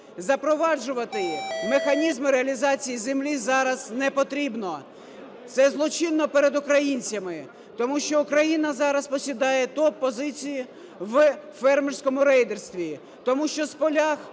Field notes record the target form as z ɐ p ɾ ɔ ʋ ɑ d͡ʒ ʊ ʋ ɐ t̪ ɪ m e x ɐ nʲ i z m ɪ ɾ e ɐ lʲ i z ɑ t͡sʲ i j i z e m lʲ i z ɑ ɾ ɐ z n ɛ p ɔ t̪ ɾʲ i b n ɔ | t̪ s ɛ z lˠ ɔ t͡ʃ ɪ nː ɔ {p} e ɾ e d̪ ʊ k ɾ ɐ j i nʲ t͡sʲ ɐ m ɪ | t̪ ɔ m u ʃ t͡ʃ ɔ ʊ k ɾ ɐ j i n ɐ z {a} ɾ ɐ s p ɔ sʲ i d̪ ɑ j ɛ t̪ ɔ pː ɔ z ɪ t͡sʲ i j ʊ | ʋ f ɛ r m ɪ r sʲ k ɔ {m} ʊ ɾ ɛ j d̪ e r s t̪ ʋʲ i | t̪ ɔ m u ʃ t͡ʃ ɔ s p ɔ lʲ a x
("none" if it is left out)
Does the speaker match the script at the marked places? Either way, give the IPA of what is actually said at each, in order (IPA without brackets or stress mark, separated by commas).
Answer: p, ɑ, m